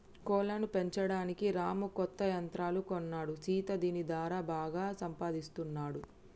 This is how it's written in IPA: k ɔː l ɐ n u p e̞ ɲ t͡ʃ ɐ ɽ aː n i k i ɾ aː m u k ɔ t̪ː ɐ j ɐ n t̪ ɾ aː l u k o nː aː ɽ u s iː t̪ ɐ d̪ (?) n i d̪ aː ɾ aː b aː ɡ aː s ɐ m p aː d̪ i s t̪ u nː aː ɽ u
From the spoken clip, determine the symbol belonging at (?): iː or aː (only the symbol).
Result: iː